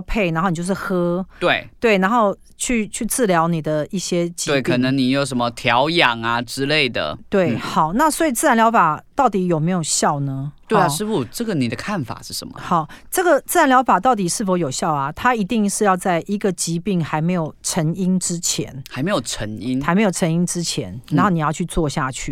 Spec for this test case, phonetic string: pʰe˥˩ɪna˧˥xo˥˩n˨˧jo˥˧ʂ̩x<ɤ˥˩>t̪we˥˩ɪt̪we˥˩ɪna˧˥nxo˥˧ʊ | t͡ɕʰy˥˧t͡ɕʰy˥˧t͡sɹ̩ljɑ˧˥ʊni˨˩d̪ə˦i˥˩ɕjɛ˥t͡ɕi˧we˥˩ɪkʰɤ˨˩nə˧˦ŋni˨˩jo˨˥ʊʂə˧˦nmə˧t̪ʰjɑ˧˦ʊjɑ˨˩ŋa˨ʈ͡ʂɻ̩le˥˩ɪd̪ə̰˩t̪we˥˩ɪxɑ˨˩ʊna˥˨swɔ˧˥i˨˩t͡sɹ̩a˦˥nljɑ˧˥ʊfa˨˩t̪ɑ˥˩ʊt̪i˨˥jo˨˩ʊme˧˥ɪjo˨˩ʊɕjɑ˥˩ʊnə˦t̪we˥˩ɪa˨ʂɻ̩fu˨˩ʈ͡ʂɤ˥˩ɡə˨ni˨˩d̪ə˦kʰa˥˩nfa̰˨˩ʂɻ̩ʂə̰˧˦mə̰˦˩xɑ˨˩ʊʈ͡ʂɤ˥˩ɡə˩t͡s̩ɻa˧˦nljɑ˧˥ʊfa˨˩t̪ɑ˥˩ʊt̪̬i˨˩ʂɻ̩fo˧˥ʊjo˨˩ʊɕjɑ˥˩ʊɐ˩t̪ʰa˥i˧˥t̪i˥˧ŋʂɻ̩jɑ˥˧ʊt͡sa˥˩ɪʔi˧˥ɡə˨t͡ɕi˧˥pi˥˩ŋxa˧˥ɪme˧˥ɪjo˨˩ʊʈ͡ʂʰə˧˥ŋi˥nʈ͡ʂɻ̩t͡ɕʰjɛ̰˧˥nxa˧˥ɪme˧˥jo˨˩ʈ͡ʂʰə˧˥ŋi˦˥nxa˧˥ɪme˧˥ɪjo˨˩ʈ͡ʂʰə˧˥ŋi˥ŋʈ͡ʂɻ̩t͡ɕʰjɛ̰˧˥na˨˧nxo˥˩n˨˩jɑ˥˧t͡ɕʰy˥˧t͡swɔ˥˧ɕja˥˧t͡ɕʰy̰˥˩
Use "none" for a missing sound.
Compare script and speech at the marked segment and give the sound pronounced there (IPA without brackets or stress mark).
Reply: ɤ˥